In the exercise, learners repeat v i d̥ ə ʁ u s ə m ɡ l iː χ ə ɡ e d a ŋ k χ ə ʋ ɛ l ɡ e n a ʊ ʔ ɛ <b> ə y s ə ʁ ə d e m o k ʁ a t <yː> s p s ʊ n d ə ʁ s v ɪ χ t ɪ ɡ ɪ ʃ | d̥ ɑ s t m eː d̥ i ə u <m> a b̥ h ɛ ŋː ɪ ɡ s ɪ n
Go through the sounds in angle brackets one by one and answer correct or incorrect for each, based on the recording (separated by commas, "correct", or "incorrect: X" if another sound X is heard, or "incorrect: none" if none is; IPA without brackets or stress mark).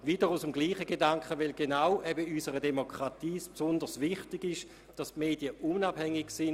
correct, incorrect: iː, incorrect: n